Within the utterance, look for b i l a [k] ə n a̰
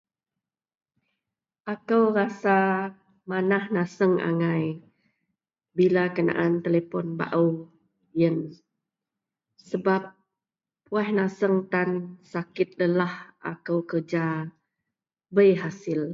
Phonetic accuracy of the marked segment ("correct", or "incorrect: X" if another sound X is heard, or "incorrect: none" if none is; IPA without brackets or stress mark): correct